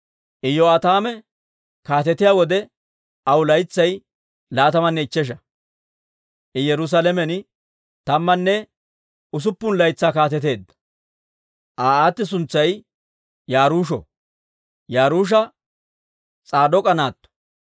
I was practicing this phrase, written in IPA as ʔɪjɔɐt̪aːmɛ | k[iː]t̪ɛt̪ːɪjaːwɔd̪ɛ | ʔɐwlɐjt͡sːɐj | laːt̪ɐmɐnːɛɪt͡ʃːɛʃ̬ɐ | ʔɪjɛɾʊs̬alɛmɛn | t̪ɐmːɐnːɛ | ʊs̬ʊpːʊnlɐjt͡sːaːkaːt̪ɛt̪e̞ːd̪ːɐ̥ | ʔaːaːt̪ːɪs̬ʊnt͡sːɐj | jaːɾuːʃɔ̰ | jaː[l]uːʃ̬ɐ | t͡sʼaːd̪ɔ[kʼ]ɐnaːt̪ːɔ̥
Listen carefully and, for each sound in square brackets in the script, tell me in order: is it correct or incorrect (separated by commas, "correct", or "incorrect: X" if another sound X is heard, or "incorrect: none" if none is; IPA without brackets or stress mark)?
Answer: incorrect: aː, incorrect: ɾ, correct